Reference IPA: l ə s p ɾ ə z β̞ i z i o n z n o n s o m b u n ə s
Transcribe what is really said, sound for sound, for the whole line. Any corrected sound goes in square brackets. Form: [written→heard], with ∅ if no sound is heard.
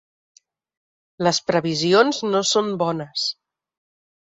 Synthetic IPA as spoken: l ə s p ɾ ə [z→∅] β̞ i z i o n z n o [n→∅] s o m b [u→ɔ] n ə s